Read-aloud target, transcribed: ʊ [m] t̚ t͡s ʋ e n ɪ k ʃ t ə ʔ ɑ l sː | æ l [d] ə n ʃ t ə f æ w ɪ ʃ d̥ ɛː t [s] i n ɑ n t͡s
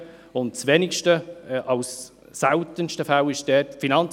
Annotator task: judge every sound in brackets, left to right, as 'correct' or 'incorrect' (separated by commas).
incorrect, incorrect, incorrect